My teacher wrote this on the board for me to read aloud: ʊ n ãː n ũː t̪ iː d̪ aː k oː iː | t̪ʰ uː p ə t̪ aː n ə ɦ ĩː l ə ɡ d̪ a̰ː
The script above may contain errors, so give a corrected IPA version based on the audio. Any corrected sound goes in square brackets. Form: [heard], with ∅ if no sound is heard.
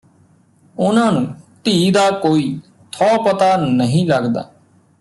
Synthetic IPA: ʊ n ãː n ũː t̪ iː d̪ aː k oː iː | t̪ʰ [ɔː] p ə t̪ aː n ə ɦ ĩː l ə ɡ d̪ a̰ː